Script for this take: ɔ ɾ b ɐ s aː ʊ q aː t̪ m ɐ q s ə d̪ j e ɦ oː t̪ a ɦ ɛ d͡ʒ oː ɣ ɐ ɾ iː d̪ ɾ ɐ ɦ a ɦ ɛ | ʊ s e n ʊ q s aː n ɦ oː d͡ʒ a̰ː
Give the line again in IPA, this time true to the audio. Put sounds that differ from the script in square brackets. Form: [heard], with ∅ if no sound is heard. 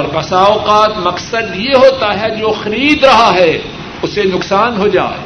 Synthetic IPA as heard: ɔ ɾ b ɐ s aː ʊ q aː t̪ m ɐ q s ə d̪ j e ɦ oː t̪ a ɦ ɛ d͡ʒ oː [x] ɐ ɾ iː d̪ ɾ ɐ ɦ a ɦ ɛ | ʊ s e n ʊ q s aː n ɦ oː d͡ʒ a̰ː